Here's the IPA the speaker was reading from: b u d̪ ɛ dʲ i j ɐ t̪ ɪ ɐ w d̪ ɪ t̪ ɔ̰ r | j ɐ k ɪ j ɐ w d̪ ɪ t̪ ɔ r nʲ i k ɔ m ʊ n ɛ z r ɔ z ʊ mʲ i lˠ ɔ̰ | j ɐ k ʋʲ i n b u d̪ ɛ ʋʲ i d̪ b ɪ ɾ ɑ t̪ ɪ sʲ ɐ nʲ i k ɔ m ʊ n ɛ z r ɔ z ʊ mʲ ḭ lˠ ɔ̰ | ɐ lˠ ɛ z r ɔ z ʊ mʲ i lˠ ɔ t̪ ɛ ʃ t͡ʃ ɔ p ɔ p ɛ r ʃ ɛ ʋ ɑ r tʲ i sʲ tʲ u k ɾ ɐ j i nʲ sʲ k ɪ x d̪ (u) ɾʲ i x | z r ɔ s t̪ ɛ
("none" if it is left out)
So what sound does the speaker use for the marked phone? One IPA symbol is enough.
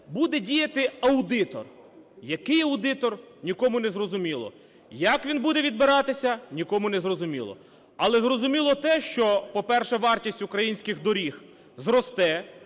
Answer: ɔ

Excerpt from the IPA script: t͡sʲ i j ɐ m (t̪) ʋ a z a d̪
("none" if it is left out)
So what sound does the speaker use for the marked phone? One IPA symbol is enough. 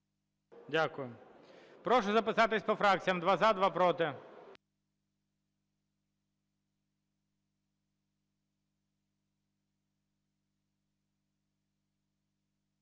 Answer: d̪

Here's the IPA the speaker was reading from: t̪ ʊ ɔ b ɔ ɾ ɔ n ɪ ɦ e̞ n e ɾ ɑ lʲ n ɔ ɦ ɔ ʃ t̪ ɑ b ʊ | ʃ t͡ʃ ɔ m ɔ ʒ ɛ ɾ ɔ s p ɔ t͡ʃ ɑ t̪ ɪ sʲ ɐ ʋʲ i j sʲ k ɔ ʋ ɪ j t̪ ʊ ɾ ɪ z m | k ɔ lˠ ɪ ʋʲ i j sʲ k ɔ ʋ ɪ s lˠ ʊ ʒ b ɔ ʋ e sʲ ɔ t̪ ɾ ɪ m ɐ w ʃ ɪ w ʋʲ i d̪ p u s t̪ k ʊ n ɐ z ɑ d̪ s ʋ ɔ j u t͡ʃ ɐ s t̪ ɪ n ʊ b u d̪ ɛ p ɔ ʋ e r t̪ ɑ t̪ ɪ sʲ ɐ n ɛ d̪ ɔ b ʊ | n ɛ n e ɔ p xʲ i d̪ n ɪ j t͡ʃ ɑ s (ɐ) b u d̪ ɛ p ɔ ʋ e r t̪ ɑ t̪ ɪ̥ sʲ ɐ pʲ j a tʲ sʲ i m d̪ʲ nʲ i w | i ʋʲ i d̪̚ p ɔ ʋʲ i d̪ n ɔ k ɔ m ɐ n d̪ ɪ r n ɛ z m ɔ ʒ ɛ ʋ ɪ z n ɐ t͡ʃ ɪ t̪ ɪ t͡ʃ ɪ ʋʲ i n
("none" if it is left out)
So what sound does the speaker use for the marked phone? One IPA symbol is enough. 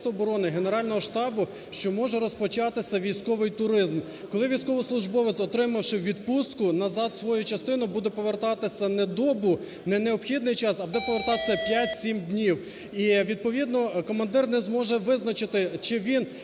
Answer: ɐ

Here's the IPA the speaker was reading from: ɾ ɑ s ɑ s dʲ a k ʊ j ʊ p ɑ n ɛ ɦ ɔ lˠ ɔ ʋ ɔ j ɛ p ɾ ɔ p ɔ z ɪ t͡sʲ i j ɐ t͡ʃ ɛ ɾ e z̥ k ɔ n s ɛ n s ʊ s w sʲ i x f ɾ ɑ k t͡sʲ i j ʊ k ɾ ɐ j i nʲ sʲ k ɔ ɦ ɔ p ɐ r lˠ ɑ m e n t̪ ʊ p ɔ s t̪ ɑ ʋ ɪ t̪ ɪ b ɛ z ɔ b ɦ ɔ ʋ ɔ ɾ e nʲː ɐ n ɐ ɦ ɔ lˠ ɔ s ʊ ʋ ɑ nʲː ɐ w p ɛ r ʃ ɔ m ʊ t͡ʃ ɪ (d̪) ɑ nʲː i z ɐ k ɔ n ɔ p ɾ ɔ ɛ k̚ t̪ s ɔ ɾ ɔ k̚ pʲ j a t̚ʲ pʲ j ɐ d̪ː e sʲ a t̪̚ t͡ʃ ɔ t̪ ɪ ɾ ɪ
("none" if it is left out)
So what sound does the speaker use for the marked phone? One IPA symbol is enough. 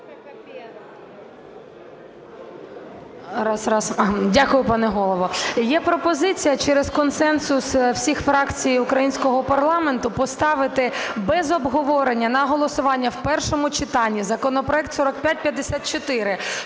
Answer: t̪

